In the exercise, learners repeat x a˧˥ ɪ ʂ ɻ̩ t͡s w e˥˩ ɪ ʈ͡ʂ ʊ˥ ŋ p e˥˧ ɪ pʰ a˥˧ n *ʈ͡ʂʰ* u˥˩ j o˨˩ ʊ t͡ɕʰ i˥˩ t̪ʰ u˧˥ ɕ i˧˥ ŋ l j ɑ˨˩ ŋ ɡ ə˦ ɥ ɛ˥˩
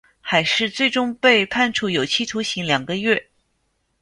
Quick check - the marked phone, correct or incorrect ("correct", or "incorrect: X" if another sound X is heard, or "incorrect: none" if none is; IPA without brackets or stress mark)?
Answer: correct